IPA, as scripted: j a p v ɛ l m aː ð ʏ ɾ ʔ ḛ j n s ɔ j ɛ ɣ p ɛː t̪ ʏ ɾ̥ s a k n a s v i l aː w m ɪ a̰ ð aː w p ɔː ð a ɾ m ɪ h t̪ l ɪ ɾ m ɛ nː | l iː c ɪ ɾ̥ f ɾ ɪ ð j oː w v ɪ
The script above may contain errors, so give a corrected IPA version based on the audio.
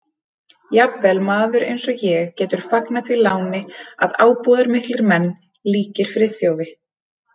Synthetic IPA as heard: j a p v ɛ l m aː ð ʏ ɾ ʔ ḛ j n s ɔ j ɛ ɣ c ɛː t̪ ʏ ɾ̥ f a k n a θ v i l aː w n ɪ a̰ ð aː w p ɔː ð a ɾ m ɪ h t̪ l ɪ ɾ m ɛ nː | l iː c ɪ ɾ̥ f ɾ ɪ θ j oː w v ɪ